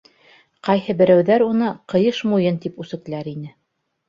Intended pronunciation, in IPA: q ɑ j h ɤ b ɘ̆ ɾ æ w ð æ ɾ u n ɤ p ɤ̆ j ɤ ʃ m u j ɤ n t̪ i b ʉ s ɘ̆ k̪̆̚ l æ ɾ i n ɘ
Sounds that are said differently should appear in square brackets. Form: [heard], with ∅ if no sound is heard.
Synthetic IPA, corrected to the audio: q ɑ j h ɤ b ɘ̆ ɾ æ w ð æ ɾ u n ɤ [q] ɤ̆ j ɤ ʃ m u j ɤ n t̪ i [p] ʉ s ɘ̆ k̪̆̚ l æ ɾ i n ɘ